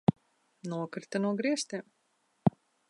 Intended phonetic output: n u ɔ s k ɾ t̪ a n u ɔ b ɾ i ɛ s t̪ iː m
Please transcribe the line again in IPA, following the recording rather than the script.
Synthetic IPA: n u ɔ k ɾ t̪ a n u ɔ ɡ ɾ i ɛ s t̪ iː m

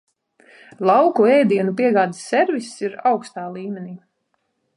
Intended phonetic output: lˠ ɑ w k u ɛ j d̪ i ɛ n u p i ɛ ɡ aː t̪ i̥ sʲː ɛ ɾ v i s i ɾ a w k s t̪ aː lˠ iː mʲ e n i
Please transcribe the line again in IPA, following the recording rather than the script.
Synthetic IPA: lˠ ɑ w k u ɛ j d̪ i ɛ n u p i ɛ ɡ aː d̪ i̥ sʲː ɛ ɾ v i s i ɾ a w k s t̪ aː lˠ iː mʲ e n iː

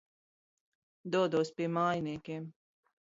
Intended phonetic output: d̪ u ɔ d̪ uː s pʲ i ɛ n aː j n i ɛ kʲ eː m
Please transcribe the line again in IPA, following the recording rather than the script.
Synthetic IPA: d̪ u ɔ d̪ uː s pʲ i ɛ m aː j n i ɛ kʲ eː m

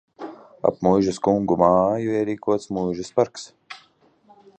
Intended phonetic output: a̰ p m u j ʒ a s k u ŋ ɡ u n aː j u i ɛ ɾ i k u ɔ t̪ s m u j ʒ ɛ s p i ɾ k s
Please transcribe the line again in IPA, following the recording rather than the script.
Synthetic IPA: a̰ p m u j ʒ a s k u ŋ ɡ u m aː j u i ɛ ɾ iː k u ɔ t̪ s m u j ʒ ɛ s p a ɾ k s

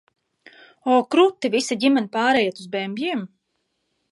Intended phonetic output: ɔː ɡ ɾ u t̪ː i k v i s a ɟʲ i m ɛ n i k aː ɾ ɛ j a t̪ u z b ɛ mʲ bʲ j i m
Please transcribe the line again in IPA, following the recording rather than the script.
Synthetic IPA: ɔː k ɾ u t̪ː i v i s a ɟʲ i m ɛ n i p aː ɾ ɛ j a t̪ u z b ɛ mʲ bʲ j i m

